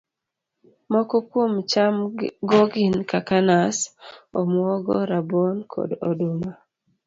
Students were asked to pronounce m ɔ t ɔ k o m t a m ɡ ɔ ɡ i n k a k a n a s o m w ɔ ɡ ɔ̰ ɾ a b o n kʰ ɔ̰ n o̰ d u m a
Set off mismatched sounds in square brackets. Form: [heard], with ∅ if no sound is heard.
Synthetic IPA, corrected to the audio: m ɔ [k] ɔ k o m [t͡ʃ] a m ɡ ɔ ɡ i n k a k a n a s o m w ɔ ɡ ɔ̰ ɾ a b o n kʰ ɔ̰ [d] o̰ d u m a